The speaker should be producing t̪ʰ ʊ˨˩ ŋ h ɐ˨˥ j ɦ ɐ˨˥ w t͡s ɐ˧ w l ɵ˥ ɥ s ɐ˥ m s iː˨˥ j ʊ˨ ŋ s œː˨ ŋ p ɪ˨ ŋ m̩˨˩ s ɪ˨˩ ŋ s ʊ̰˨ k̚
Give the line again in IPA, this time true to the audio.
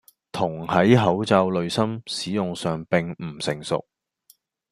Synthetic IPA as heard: t̪ʰ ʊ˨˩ ŋ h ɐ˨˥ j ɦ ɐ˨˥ w t͡s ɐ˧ w l ɵ˨ ɥ s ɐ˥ m s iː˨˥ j ʊ˨ ŋ s œː˨ ŋ p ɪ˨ ŋ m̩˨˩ s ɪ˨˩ ŋ s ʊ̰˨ k̚